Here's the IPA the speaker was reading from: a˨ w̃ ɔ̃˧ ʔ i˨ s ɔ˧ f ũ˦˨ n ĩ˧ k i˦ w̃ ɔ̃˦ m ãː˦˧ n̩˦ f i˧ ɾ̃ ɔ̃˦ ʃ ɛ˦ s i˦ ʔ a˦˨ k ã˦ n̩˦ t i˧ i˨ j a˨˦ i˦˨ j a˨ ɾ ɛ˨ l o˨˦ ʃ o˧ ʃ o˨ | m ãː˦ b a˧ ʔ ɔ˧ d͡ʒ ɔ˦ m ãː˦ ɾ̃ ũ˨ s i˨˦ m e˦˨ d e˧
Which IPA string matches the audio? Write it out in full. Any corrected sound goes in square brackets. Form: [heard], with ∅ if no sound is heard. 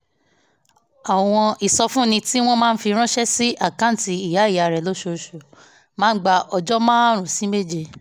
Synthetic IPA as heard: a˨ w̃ ɔ̃˧ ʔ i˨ s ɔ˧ f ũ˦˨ n ĩ˧ [t] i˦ w̃ ɔ̃˦ m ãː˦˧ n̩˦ f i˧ ɾ̃ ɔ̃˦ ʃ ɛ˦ s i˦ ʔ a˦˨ k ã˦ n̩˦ t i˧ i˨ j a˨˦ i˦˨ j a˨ ɾ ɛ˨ l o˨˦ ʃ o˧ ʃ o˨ | m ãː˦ [ɡ͡b] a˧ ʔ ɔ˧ d͡ʒ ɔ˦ m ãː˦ ɾ̃ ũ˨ s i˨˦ m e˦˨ [d͡ʒ] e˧